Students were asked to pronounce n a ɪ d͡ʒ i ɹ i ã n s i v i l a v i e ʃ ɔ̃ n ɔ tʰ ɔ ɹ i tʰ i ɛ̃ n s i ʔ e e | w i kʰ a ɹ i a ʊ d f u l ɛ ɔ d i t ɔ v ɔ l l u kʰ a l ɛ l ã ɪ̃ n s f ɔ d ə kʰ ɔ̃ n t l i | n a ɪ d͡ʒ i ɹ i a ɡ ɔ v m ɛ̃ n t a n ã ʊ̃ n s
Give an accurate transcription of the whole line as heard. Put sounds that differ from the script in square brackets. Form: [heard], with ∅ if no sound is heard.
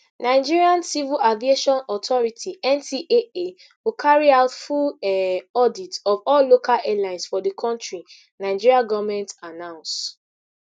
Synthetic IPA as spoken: n a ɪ d͡ʒ i ɹ i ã n s i v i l a v i e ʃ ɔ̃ n ɔ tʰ ɔ ɹ i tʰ i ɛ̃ n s i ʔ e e | w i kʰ a ɹ i a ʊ [t] f u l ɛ ɔ d i t ɔ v ɔ l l [o] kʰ a l ɛ l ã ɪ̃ n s f ɔ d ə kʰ ɔ̃ n t [ɹ] i | n a ɪ d͡ʒ i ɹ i a ɡ ɔ v m ɛ̃ n t a n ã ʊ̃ n s